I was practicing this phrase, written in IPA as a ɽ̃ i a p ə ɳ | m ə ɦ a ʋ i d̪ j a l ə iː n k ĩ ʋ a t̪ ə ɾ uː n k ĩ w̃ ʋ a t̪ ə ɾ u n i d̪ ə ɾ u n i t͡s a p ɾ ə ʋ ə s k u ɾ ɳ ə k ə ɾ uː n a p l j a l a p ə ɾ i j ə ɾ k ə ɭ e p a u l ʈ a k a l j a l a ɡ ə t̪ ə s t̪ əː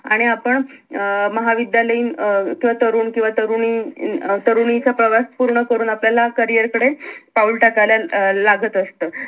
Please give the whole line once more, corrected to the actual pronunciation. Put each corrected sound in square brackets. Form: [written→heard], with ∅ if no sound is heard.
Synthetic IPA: a ɽ̃ i a p ə ɳ | m ə ɦ a ʋ i d̪ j a l ə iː n k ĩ ʋ a t̪ ə ɾ uː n k ĩ w̃ ʋ a t̪ ə ɾ u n i [d̪→t̪] ə ɾ u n i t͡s a p ɾ ə ʋ [ə→a] s [k→p] u ɾ ɳ ə k ə ɾ uː n a p l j a l a [p→k] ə ɾ i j ə ɾ k ə [ɭ→ɽ] e p a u l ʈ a k a l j a l a ɡ ə t̪ ə s t̪ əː